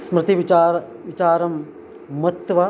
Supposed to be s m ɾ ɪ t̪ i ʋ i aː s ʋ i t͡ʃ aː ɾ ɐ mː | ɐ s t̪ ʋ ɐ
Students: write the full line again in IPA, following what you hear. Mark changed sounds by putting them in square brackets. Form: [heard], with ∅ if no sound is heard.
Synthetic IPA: s m ɾ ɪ t̪ i ʋ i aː [∅] ʋ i t͡ʃ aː ɾ ɐ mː | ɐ [∅] t̪ ʋ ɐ